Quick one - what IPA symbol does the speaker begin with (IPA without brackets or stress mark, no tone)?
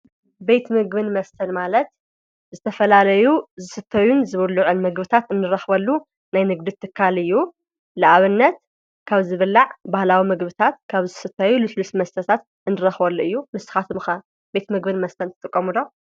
b